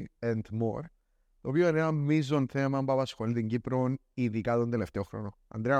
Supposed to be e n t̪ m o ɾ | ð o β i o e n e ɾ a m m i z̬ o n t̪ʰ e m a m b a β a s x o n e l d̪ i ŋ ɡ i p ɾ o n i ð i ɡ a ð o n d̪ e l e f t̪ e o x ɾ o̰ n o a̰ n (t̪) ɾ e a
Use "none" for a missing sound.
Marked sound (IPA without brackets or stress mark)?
d̪